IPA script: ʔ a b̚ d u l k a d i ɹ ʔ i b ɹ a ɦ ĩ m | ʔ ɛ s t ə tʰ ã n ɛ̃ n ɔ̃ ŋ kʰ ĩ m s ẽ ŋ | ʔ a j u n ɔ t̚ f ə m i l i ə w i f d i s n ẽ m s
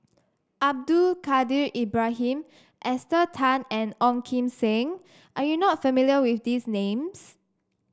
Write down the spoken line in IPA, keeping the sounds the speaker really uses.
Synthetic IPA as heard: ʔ a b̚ d u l k a d i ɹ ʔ i b ɹ a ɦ ĩ m | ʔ ɛ s t ə tʰ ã n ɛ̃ n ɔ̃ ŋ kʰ ĩ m s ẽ ŋ | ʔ a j u n ɔ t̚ f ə m i l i ə w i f d i s n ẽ m s